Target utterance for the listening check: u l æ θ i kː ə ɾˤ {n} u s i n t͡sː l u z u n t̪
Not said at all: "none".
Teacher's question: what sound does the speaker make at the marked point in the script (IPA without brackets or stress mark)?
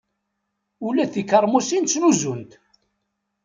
m